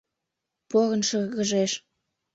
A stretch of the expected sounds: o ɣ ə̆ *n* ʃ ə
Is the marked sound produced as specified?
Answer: yes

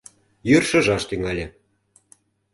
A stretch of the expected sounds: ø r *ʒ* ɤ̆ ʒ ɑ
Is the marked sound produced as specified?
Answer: no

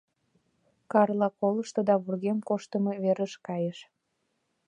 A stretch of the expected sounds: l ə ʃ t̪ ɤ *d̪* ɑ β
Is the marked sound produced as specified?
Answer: yes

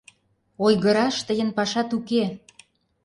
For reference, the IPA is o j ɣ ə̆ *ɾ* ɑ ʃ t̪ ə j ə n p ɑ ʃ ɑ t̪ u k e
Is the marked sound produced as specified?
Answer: yes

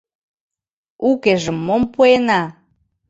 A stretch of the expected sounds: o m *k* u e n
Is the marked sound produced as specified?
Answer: no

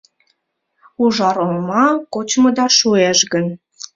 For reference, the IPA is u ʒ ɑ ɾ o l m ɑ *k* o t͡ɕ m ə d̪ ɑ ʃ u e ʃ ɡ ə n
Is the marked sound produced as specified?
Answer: yes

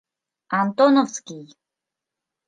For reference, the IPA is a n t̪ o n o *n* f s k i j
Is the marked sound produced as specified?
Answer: no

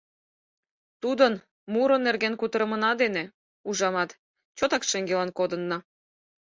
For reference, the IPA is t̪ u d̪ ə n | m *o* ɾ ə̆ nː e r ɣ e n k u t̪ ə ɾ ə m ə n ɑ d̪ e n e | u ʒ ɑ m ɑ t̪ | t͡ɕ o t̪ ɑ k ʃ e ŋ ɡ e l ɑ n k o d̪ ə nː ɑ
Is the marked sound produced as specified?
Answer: no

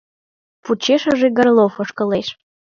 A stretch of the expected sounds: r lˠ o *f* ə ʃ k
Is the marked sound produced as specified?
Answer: yes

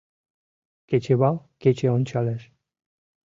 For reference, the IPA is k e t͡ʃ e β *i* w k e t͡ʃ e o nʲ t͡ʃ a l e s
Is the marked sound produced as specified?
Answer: no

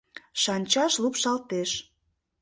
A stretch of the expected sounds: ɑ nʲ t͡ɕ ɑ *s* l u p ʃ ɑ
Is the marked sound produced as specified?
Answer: no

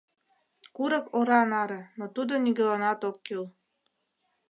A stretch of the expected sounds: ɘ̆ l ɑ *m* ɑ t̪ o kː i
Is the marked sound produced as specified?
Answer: no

